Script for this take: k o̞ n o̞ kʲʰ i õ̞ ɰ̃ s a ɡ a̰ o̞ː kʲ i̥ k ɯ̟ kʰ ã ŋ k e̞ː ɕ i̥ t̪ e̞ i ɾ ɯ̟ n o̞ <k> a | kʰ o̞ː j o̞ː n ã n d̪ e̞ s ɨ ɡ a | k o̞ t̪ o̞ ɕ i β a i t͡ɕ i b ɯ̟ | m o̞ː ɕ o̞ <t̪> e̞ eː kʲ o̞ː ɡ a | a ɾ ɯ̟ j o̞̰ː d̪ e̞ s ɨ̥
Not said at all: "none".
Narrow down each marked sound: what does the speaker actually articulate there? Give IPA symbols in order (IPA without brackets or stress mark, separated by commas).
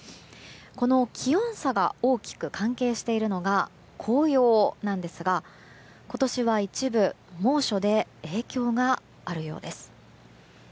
ɡ, d̪